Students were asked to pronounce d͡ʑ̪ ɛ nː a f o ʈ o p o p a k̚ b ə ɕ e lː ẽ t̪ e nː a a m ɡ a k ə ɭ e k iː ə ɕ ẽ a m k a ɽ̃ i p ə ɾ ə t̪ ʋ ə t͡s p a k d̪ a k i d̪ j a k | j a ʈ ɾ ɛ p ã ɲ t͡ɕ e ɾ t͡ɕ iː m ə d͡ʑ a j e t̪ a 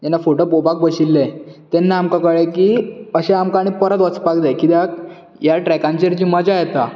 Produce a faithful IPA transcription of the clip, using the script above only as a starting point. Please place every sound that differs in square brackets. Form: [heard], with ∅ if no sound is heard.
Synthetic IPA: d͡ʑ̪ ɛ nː a f o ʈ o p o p a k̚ b ə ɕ [i] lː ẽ t̪ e nː a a m [k] a k ə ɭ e k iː ə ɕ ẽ a m k a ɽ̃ i p ə ɾ ə t̪ ʋ ə t͡s p a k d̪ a k i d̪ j a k | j a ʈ ɾ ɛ [k] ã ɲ t͡ɕ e ɾ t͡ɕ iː m ə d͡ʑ a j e t̪ a